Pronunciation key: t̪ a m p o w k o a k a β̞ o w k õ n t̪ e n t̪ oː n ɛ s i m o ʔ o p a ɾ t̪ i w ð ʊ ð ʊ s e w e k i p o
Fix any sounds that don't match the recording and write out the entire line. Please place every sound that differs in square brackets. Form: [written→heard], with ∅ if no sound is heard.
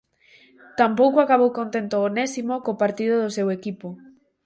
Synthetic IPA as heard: t̪ a m p o w k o a k a β̞ o w k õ n t̪ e n t̪ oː n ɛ s i m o [ʔ→k] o p a ɾ t̪ i [w→∅] ð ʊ ð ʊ s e w e k i p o